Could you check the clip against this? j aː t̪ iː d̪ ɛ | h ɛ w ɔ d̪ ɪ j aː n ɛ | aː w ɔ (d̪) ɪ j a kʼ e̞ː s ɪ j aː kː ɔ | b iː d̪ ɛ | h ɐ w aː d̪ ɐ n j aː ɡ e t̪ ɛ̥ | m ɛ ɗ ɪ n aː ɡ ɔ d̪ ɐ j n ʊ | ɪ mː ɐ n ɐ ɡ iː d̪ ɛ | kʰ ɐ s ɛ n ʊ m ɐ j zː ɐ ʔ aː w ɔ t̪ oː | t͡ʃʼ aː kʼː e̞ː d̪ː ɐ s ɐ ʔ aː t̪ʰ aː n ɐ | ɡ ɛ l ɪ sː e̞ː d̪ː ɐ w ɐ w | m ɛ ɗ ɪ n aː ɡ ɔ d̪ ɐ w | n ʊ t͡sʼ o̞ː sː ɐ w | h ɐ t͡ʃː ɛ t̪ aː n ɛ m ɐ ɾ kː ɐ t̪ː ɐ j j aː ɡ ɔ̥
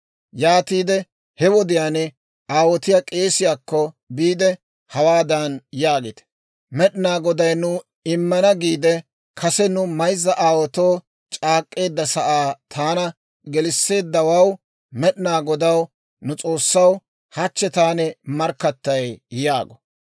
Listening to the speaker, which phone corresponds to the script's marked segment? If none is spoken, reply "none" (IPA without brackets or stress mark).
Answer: t̪